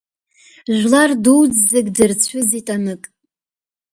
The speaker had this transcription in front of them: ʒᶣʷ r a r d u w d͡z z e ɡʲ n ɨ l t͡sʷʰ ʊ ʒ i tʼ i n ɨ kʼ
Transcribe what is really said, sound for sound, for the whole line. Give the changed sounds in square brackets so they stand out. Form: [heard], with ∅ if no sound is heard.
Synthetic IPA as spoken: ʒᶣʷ [l] a r d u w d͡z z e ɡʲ [d] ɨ [r] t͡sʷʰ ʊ [z] i tʼ [a] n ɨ kʼ